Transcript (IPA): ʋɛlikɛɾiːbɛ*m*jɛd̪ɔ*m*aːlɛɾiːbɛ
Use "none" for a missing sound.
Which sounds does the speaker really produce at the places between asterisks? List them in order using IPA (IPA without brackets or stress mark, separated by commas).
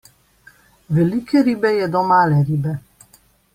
none, m